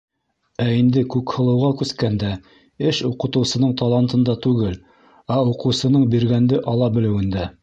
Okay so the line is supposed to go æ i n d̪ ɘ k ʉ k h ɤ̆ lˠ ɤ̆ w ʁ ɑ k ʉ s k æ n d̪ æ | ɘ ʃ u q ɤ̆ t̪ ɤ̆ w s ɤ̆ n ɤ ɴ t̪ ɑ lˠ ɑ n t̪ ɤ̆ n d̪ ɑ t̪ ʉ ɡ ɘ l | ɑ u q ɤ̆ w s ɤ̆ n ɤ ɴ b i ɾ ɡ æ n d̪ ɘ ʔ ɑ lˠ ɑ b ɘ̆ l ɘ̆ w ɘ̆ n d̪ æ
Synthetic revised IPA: æ i n d̪ ɘ k ʉ k h ɤ̆ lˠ ɤ̆ w ʁ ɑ k ʉ s k æ n d̪ æ | ɘ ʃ u q ɤ̆ t̪ ɤ̆ w s ɤ̆ n ɤ ɴ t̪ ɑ lˠ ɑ n t̪ ɤ̆ n d̪ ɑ t̪ ʉ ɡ ɘ l | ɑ u q ɤ̆ w s ɤ̆ n ɤ ɴ b i ɾ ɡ æ n d̪ ɘ ʔ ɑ lˠ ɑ b ɘ̆ l ɘ̆ w ɘ̆ n d̪ æ